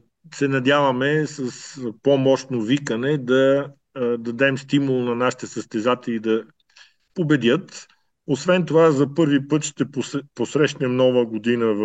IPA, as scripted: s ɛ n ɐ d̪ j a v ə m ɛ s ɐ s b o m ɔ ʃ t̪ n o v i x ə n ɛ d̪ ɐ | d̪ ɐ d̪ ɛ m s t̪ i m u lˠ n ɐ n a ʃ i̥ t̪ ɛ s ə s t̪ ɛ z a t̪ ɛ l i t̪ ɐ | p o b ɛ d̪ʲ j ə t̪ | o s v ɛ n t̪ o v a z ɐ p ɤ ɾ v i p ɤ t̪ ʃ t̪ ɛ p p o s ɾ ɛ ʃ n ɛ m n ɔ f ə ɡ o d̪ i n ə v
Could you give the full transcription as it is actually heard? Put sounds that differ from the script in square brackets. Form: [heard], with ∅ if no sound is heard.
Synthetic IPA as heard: s ɛ n ɐ d̪ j a v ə m ɛ s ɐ s [p] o m ɔ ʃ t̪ n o v i [k] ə n ɛ d̪ ɐ | d̪ ɐ d̪ ɛ m s t̪ i m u lˠ n ɐ n a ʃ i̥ t̪ ɛ s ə s t̪ ɛ z a t̪ ɛ l i [d̪] ɐ | p o b ɛ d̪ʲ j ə t̪ | o s v ɛ n t̪ o v a z ɐ p ɤ ɾ v i p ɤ t̪ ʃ t̪ ɛ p p o s ɾ ɛ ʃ n ɛ m n ɔ [v] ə ɡ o d̪ i n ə v